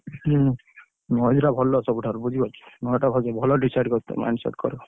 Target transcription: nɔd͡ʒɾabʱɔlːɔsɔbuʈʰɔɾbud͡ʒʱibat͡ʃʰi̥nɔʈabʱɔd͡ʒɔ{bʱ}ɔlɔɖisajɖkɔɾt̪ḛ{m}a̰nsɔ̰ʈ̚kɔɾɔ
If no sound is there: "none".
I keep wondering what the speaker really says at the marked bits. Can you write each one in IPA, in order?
bʱ, m

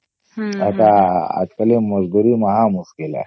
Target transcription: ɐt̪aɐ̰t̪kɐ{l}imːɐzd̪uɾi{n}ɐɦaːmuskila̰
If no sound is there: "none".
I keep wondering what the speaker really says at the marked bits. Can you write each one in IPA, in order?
l, m

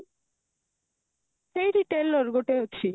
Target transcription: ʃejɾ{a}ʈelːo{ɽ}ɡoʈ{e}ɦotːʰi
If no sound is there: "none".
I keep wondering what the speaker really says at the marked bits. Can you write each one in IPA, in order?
i, ɾ, e

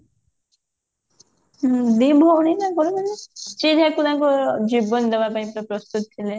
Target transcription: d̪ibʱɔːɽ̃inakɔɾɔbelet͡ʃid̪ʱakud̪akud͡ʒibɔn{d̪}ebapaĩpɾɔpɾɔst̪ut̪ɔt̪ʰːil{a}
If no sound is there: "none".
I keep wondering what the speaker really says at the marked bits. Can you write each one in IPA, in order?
d̪, e

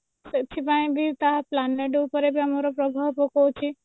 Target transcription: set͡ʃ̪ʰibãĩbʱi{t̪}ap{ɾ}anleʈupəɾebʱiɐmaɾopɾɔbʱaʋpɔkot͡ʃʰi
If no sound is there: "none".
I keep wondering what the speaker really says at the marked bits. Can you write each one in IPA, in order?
t̪, l

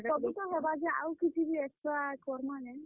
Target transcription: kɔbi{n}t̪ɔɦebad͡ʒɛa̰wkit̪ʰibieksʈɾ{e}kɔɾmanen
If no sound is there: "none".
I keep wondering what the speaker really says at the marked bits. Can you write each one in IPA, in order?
none, a

